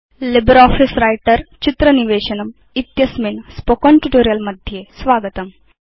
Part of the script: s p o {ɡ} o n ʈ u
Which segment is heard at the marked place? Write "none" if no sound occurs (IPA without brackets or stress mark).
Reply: k